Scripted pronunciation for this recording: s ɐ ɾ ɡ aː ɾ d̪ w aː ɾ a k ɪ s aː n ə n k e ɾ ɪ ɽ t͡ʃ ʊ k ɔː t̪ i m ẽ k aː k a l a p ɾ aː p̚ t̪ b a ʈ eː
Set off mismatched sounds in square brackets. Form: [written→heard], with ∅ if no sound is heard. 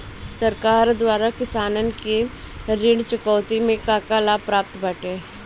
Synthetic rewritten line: s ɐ ɾ [ɡ→k] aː ɾ d̪ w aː ɾ a k ɪ s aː n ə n k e ɾ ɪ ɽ t͡ʃ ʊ k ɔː t̪ i m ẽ k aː k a l a p ɾ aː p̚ t̪ b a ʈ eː